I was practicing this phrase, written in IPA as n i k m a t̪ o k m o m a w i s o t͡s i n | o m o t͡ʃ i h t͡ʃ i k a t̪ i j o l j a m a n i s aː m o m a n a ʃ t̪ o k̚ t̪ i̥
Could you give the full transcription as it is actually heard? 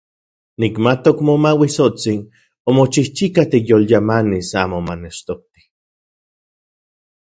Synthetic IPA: n i k m a t̪ o k m o m a w i s o t͡s i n | o m o t͡ʃ i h t͡ʃ i k a t̪ i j o l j a m a n i s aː m o m a n e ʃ t̪ o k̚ t̪ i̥